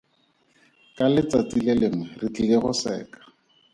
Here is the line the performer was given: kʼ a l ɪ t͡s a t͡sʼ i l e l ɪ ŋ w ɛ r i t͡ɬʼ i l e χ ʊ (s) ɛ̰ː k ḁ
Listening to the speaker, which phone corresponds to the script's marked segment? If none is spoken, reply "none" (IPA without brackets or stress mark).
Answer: s